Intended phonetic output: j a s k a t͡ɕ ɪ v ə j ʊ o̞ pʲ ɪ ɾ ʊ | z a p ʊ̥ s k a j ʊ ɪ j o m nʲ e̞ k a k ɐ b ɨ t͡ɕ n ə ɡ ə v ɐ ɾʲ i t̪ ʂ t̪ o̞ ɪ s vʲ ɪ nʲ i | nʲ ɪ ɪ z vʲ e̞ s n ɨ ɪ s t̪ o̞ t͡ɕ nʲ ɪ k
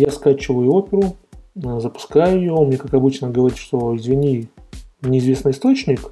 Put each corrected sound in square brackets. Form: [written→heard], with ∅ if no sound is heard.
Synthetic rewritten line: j a s k a t͡ɕ ɪ v ə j ʊ o̞ pʲ ɪ ɾ ʊ | z [a→ə] p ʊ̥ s k a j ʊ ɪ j o m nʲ e̞ k a k ɐ b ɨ t͡ɕ n ə ɡ ə v ɐ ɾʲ i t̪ ʂ t̪ o̞ ɪ [s→z] vʲ ɪ nʲ i | nʲ ɪ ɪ z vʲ e̞ s n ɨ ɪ s t̪ o̞ t͡ɕ nʲ ɪ k